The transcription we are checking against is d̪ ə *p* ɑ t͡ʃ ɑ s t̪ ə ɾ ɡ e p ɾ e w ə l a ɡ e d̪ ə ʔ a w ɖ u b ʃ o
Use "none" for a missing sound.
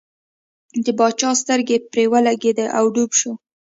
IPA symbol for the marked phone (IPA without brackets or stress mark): b